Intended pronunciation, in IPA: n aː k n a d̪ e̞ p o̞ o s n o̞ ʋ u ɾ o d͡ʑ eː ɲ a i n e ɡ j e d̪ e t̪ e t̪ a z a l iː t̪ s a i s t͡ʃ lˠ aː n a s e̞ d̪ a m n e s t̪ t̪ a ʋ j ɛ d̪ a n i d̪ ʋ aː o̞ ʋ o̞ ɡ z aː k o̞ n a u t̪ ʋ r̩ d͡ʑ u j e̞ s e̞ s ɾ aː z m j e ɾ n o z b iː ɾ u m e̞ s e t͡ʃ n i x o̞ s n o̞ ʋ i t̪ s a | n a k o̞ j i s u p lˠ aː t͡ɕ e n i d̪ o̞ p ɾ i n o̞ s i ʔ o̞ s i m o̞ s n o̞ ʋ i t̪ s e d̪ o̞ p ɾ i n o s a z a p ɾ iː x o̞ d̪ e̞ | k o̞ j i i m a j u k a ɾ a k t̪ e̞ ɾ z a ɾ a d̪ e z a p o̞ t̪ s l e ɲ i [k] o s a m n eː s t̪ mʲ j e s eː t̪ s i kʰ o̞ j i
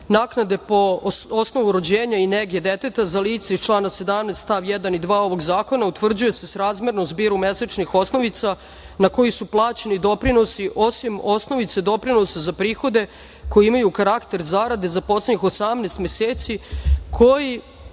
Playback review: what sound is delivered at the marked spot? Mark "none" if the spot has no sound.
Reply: x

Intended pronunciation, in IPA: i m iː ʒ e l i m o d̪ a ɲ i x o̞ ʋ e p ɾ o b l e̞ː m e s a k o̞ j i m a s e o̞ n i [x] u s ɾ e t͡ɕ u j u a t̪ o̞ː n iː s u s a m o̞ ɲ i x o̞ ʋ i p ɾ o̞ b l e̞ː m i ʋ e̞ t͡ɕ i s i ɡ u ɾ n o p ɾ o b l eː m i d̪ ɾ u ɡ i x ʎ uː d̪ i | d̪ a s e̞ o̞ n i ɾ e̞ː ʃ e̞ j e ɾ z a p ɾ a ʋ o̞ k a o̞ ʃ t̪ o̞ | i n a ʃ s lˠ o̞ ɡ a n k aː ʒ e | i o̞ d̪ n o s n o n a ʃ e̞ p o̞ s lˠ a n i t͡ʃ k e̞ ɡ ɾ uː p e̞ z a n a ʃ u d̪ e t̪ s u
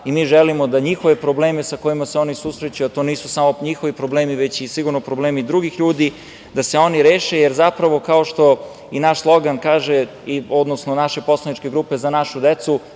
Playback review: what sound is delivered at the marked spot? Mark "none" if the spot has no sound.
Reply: s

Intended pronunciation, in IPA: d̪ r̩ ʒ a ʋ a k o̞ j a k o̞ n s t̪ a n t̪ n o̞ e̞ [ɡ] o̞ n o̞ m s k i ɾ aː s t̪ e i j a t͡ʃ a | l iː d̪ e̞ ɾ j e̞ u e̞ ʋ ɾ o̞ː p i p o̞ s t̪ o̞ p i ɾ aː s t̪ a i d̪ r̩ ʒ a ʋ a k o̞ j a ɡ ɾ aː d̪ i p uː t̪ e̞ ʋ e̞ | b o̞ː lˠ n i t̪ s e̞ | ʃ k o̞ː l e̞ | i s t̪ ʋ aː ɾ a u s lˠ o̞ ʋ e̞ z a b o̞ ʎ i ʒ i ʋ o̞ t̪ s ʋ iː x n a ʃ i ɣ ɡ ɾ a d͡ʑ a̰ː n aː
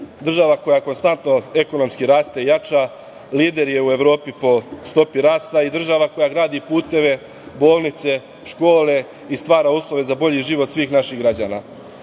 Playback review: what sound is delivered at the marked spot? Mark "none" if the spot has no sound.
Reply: k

